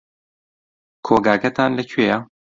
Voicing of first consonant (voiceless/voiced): voiceless